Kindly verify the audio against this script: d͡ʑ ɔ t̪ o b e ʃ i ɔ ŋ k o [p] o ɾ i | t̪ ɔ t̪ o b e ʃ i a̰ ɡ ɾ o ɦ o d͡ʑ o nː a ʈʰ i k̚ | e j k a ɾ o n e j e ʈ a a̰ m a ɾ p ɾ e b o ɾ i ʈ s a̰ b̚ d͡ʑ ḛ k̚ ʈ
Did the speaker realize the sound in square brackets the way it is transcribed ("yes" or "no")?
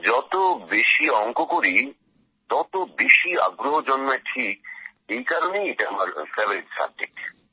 no